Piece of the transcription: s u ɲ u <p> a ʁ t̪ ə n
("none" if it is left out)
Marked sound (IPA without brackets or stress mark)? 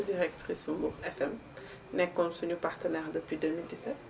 p